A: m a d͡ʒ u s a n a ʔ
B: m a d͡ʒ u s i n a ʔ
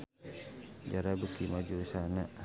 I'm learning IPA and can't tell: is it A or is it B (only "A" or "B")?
A